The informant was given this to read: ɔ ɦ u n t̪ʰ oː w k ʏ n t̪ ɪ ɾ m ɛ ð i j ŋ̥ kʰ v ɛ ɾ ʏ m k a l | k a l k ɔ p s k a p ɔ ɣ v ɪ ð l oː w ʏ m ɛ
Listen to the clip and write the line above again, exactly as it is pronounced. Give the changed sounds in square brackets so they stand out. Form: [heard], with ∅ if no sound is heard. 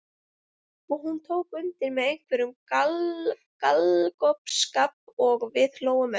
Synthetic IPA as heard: ɔ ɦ u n t̪ʰ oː w k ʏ n t̪ ɪ ɾ m ɛ ð [e] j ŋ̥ kʰ v ɛ ɾ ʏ m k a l | k a l k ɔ p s k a p ɔ ɣ v ɪ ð l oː w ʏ m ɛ